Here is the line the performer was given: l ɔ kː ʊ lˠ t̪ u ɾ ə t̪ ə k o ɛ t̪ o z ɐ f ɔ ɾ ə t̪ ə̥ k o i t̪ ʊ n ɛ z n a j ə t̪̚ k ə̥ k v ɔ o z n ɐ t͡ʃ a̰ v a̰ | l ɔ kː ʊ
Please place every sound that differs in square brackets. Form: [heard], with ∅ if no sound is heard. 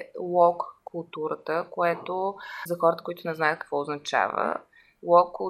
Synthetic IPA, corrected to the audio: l ɔ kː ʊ lˠ t̪ u ɾ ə t̪ ə k o ɛ t̪ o z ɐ [x] ɔ ɾ ə t̪ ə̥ k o i t̪ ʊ n ɛ z n a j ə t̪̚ k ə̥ k v ɔ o z n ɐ t͡ʃ a̰ v [ə̰] | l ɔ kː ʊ